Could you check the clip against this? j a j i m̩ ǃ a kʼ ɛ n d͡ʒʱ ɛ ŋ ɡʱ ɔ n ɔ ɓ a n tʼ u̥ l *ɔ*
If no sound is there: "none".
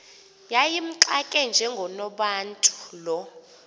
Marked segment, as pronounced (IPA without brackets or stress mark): ɔ